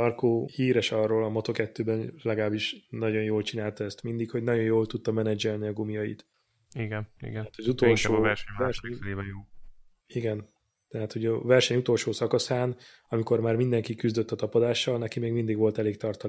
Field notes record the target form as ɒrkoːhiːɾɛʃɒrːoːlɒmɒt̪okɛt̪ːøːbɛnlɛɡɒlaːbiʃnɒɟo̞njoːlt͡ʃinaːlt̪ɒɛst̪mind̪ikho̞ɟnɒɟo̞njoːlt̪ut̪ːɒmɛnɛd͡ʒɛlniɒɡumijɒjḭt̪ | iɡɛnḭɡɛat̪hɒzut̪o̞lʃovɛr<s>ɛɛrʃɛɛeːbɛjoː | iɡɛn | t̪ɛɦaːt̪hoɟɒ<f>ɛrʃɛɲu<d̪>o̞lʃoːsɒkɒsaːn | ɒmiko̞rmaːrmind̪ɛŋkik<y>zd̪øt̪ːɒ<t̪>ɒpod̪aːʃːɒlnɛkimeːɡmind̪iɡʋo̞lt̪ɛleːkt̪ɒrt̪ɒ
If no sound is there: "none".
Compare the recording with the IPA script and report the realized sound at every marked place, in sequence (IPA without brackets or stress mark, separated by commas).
ʃ, v, t̪, y, t̪